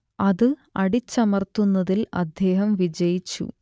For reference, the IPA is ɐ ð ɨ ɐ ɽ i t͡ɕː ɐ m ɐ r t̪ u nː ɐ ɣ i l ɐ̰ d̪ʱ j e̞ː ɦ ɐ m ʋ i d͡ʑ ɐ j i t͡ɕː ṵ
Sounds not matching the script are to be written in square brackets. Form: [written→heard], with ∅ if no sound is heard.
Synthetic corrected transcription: ɐ ð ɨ ɐ ɽ i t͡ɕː ɐ m ɐ r t̪ u nː ɐ [ɣ→ð] i l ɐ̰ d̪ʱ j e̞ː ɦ ɐ m ʋ i d͡ʑ ɐ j i t͡ɕː ṵ